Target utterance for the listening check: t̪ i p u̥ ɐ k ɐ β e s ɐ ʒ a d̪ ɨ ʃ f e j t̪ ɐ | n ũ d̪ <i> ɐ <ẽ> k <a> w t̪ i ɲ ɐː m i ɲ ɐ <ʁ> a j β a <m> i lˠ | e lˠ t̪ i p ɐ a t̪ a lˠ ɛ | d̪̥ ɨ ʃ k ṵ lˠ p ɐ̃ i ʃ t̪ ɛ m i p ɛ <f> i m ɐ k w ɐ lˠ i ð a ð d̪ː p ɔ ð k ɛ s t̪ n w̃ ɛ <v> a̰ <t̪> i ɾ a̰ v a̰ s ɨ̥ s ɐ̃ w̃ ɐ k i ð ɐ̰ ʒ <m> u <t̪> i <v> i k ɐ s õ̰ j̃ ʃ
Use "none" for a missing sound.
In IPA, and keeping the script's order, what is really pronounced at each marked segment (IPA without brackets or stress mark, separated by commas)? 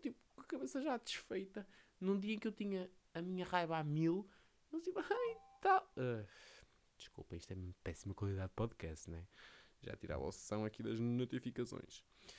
i, ẽ, e, ʁ, m, s, ʒ, t̪, n, t̪, f